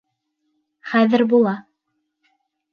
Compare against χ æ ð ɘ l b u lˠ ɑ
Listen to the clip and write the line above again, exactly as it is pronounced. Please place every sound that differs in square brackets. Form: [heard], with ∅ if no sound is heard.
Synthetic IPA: χ æ ð ɘ [ɾ] b u lˠ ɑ